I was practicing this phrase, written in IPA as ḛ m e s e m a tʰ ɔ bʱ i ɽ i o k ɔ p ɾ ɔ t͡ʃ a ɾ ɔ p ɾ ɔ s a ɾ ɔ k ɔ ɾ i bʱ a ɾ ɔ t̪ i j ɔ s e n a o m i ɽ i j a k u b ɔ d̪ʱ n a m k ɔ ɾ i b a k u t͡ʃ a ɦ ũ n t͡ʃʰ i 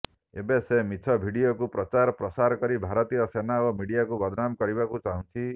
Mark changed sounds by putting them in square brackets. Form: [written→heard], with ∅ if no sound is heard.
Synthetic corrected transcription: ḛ [m→b] e s e m [a→i] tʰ ɔ bʱ i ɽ i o k [ɔ→u] p ɾ ɔ t͡ʃ a ɾ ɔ p ɾ ɔ s a ɾ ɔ k ɔ ɾ i bʱ a ɾ ɔ t̪ i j ɔ s e n a o m i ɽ i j a k u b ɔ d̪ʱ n a m k ɔ ɾ i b a k u t͡ʃ a ɦ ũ n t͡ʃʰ i